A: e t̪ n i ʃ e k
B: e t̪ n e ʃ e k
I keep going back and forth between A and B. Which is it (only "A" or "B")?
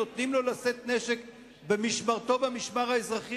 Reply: B